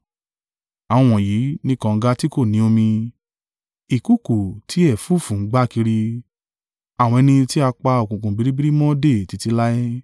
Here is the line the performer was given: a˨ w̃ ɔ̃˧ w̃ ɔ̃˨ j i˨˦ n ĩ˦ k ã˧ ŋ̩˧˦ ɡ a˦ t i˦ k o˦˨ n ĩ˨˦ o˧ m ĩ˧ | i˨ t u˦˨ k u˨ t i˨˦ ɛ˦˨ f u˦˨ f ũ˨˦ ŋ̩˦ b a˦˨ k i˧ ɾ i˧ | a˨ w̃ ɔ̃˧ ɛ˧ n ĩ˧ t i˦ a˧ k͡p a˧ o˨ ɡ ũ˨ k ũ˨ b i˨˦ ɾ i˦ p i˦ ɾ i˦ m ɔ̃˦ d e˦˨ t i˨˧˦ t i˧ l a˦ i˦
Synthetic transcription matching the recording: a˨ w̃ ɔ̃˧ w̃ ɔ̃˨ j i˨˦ n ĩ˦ k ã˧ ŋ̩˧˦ ɡ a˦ t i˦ k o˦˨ n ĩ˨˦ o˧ m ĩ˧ | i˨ k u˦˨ k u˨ t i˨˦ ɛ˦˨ f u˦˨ f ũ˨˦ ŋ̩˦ ɡ͡b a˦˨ k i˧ ɾ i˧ | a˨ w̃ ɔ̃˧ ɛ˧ n ĩ˧ t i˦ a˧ k͡p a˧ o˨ k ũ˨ k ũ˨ b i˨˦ ɾ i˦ b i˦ ɾ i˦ m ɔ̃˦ d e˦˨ t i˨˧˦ t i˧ l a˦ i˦